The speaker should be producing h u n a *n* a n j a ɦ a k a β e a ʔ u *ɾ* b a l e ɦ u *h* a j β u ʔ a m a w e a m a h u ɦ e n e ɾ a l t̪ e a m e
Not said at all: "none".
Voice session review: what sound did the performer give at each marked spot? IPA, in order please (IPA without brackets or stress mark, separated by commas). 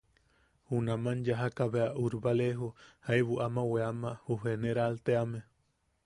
m, ɾ, h